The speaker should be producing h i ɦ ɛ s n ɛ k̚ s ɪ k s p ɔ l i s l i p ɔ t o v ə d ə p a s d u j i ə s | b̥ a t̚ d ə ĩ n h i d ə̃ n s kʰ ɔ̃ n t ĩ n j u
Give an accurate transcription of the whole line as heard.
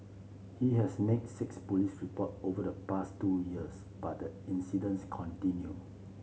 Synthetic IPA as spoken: h i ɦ ɛ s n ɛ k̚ s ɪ k s p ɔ l i s ɹ i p ɔ t o v ə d ə p a s t u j i ə s | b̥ a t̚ d ə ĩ n s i d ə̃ n s kʰ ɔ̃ n t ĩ n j u